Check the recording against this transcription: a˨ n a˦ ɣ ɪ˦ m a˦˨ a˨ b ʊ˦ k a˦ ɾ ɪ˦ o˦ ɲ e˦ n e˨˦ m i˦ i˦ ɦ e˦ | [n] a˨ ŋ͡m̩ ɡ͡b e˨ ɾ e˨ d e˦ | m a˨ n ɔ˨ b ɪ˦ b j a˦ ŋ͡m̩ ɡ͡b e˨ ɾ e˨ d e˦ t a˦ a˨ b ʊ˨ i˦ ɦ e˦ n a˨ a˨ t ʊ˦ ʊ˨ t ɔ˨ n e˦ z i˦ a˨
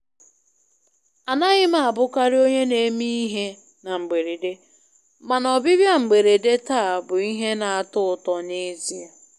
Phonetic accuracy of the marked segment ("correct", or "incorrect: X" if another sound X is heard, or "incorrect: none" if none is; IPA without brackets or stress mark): correct